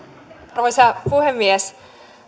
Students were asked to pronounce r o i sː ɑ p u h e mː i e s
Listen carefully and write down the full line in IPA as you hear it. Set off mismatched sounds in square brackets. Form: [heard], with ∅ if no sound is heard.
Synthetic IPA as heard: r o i [s] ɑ p u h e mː i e s

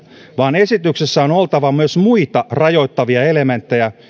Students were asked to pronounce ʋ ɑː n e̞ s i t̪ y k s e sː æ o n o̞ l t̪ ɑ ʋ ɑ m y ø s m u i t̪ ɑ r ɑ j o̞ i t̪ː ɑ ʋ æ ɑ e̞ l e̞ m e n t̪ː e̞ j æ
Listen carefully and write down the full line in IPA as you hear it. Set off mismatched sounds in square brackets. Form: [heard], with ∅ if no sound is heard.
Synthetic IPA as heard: ʋ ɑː n e̞ s i t̪ y k s e sː æ o n o̞ l t̪ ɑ ʋ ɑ m y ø s m u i t̪ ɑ r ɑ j o̞ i t̪ː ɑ ʋ [i] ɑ e̞ l e̞ m e n t̪ː e̞ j æ

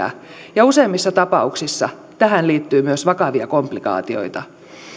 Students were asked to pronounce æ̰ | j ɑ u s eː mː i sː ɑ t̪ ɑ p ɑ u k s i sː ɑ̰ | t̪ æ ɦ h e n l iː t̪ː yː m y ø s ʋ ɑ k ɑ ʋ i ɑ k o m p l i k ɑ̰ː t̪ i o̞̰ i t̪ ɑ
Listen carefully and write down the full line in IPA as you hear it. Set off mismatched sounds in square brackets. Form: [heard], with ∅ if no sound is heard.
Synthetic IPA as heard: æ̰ | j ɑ u s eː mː i sː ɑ t̪ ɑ p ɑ u k s i sː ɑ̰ | t̪ æ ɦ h [æ] n l iː t̪ː yː m y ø s ʋ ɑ k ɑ ʋ i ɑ k o m p l i k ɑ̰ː t̪ i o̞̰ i t̪ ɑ

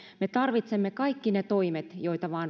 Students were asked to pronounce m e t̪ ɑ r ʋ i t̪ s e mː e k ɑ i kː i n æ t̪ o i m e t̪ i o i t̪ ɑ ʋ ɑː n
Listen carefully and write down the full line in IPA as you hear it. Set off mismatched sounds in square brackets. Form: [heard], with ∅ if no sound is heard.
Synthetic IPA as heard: m e t̪ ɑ r ʋ i t̪ s e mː e k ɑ i kː i n [e] t̪ o i m e t̪ [j] o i t̪ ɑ ʋ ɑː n

